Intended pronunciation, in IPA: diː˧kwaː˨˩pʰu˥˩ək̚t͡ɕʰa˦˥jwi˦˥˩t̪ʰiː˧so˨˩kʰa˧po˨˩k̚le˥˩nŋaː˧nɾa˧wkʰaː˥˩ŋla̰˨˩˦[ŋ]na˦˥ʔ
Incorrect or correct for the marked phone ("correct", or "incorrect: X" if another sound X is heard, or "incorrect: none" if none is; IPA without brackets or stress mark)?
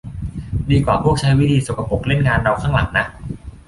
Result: correct